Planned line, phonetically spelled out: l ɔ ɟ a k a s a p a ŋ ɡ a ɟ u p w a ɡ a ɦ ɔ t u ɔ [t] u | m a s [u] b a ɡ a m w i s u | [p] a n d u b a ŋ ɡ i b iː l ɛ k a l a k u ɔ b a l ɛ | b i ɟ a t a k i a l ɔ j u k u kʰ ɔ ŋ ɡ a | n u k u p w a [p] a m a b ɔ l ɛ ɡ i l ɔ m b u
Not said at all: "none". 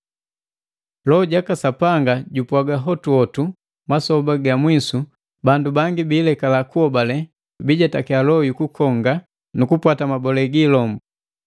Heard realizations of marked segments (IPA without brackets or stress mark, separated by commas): t, ɔ, b, t